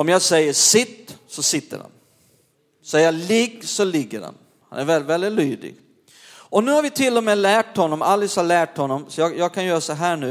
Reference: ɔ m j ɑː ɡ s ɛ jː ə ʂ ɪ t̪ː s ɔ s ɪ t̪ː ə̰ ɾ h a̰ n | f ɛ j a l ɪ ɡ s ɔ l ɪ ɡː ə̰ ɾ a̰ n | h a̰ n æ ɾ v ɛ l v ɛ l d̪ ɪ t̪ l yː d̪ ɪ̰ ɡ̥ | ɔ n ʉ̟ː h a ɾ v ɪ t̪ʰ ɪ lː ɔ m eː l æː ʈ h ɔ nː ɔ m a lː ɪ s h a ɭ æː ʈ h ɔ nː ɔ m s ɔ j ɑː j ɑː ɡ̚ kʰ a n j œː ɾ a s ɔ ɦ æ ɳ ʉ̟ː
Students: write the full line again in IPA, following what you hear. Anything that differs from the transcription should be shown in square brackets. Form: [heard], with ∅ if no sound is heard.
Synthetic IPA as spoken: ɔ m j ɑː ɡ s ɛ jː ə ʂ ɪ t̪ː s ɔ s ɪ t̪ː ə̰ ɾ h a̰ n | [s] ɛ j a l ɪ ɡ s ɔ l ɪ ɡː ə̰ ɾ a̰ n | h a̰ n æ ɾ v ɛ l v ɛ l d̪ ɪ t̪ l yː d̪ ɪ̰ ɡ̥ | ɔ n ʉ̟ː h a ɾ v ɪ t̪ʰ ɪ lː ɔ m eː l æː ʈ h ɔ nː ɔ m a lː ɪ s h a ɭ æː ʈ h ɔ nː ɔ m s ɔ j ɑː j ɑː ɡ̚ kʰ a n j œː ɾ a s ɔ ɦ [æː] ɳ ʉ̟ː